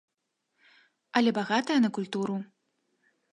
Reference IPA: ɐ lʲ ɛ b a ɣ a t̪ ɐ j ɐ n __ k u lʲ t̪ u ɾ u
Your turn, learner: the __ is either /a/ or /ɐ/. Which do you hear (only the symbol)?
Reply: ɐ